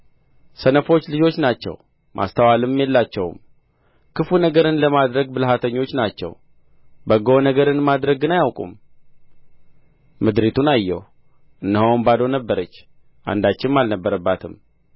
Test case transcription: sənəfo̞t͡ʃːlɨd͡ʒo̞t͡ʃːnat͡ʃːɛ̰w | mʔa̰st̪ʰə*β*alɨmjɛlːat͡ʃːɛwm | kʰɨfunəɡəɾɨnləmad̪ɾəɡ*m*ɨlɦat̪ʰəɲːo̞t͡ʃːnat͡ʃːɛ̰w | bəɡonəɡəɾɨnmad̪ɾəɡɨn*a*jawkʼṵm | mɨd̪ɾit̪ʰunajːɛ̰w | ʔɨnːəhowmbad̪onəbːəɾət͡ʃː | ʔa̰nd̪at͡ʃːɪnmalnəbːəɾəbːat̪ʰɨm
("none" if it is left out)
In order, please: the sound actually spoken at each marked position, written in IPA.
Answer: w, b, a

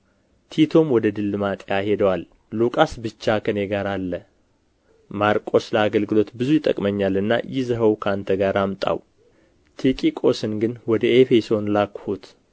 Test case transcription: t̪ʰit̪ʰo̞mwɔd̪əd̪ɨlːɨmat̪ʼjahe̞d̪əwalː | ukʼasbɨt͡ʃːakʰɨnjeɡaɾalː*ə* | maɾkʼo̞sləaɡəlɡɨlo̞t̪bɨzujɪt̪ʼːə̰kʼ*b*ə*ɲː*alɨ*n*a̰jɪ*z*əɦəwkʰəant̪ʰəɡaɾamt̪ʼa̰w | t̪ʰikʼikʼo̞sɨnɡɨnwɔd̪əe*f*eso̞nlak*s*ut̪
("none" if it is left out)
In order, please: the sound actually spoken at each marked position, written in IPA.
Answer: ə, m, ɲː, nː, z, f, h

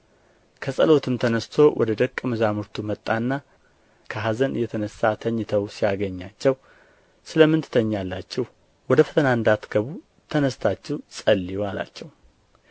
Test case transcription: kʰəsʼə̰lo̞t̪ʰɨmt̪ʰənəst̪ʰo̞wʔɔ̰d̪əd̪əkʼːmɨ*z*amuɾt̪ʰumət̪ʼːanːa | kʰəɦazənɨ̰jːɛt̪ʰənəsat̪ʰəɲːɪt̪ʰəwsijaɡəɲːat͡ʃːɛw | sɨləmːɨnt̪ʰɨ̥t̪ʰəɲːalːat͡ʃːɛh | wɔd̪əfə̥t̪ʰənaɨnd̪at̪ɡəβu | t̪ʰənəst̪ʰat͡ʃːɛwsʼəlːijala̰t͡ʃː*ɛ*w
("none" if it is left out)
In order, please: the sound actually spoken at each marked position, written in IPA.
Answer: z, ɛ

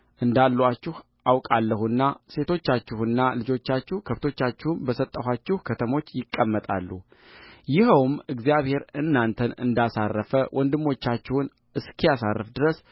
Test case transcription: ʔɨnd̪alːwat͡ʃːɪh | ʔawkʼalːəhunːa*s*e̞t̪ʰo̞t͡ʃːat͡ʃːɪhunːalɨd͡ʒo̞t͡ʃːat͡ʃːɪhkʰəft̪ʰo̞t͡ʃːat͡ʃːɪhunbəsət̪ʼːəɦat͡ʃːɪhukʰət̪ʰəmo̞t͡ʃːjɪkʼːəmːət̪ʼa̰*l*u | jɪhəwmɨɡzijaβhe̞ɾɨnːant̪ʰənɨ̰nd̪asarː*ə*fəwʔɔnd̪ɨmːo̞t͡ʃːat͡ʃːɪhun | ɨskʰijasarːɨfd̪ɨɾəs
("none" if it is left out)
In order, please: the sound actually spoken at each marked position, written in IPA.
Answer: s, lː, ə

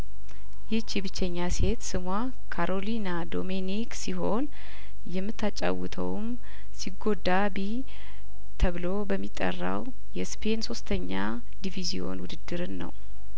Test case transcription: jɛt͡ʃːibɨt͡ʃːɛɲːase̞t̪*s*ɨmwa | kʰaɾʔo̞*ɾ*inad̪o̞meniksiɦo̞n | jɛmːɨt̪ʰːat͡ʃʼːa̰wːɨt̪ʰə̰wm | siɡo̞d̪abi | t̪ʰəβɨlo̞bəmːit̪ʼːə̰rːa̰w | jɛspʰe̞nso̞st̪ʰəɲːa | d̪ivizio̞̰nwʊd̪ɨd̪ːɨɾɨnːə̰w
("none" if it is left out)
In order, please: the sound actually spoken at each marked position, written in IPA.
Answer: s, l

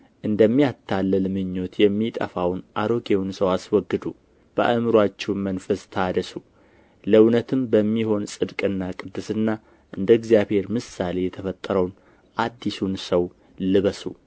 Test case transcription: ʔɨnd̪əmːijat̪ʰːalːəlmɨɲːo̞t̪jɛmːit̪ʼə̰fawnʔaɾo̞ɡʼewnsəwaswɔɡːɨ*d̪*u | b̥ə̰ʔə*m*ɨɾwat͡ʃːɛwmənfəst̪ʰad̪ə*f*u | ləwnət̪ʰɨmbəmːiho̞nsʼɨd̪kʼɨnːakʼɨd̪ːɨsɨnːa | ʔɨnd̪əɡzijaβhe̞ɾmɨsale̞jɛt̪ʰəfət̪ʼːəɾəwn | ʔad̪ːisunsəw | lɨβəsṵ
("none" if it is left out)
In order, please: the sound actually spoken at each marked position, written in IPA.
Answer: d̪, m, s

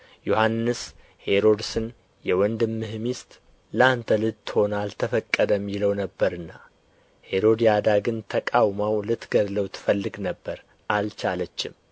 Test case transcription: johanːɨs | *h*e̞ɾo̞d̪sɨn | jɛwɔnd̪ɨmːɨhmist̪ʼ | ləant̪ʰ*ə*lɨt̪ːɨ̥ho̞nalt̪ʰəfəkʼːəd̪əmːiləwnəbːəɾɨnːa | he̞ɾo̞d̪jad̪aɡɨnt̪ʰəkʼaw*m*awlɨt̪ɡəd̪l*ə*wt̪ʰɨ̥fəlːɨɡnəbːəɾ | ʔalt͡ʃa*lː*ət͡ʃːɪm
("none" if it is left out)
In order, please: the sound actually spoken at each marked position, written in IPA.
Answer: h, ə, m, ə, l

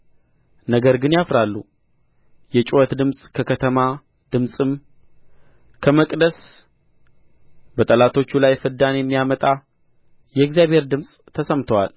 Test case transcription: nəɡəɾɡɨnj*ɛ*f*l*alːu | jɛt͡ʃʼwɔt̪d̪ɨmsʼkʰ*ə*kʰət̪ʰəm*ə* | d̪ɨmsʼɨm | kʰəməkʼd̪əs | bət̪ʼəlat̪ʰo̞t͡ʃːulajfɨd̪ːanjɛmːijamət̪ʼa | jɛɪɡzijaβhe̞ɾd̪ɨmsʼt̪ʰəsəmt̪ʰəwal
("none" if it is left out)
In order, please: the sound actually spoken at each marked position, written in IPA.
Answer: a, ɾ, ə, a

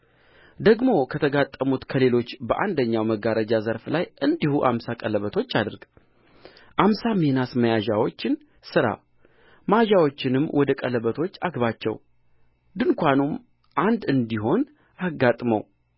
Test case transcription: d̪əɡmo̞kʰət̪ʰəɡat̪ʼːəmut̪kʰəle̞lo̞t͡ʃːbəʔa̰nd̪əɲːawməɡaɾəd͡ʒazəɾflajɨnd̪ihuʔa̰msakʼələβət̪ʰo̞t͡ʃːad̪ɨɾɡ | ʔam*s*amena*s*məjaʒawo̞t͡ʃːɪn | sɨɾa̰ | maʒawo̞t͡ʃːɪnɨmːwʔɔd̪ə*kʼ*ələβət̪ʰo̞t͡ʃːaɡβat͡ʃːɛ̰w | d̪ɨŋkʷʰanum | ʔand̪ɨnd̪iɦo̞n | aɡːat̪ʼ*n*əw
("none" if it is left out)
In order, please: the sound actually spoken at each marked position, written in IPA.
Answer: s, s, kʼ, m

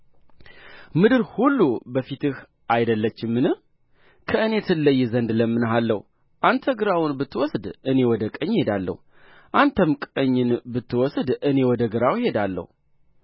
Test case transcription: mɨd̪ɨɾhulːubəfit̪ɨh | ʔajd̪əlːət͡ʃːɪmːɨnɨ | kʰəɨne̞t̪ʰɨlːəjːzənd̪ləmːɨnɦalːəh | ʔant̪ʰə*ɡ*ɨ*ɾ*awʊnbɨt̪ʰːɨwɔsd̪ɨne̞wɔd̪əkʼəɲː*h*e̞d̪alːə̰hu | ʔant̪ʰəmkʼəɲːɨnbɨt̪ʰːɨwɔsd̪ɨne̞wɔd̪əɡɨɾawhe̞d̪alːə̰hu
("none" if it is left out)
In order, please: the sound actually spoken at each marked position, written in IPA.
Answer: ɡ, ɾ, h

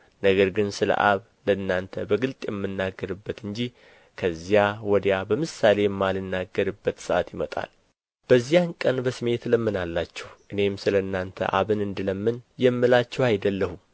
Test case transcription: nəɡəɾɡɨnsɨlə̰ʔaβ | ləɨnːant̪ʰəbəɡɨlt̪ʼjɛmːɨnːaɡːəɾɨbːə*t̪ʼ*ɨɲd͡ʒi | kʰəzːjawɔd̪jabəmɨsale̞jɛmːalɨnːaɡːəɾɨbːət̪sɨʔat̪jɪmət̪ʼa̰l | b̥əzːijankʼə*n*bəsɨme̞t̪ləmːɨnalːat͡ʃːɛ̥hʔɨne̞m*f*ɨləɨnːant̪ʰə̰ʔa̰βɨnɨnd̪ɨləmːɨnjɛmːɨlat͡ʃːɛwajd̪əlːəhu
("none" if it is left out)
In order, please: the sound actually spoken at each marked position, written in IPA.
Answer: t̪, n, s

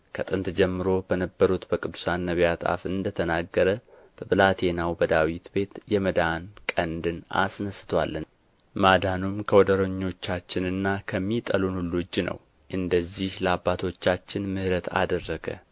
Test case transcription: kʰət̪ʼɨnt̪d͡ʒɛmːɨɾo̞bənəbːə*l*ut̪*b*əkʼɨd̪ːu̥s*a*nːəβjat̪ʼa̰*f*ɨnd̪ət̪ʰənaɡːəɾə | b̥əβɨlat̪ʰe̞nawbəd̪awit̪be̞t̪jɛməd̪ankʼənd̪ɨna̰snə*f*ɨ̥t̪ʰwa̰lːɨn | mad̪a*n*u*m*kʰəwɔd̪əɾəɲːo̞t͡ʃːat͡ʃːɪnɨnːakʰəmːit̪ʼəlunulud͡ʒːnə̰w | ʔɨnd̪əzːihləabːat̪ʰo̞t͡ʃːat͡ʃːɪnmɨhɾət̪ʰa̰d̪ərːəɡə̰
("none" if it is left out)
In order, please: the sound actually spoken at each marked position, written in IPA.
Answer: ɾ, b, a, f, s, n, m

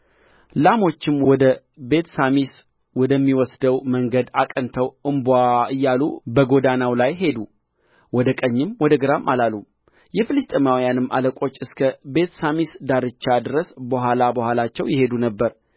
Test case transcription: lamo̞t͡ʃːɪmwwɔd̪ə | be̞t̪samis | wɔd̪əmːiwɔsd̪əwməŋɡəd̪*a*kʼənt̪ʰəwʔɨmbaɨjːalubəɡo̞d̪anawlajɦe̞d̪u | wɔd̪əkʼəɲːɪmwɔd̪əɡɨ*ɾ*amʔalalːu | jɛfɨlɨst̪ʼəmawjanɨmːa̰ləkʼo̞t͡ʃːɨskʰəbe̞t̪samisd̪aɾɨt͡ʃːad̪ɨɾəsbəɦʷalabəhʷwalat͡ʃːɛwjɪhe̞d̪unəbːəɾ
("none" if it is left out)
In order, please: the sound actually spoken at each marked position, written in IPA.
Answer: a, ɾ

